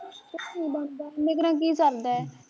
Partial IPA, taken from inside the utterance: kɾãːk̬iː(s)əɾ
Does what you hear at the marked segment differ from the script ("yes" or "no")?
no